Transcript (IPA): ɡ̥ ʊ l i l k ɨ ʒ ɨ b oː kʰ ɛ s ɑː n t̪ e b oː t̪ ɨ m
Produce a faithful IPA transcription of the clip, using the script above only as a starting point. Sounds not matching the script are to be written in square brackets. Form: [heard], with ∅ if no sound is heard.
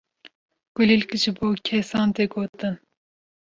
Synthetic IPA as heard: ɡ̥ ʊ l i l k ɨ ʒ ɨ b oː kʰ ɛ s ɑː n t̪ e [ɡ] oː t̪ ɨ [n]